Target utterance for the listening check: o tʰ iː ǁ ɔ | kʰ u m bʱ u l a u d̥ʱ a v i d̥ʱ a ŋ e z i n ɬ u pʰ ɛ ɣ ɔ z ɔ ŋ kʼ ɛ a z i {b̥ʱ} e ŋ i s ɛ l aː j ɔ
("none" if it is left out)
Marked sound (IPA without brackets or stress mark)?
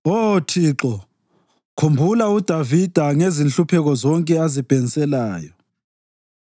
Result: b̥ʱ